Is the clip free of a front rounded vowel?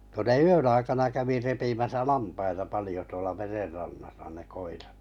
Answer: no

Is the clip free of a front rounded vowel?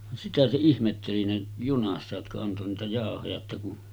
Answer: yes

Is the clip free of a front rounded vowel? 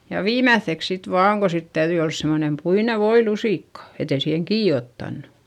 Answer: no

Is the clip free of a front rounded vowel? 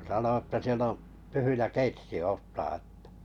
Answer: no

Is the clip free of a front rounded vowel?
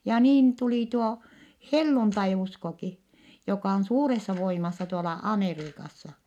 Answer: yes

